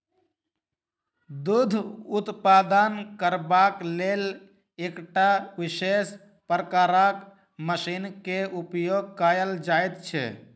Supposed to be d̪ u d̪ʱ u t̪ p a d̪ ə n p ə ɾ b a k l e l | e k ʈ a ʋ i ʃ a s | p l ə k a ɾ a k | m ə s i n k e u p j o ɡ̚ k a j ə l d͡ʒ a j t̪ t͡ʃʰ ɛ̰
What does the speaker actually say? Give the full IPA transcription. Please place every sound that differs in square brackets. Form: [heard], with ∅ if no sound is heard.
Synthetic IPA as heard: d̪ u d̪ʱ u t̪ p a d̪ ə n [k] ə ɾ b a k l e l | e k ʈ a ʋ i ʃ [e] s | p [ɾ] ə k a ɾ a k | m ə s i n k e u p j o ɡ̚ k a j ə l d͡ʒ a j t̪ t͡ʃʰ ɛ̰